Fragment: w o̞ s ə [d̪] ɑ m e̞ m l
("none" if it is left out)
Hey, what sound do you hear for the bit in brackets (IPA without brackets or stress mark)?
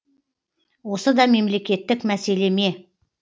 d̪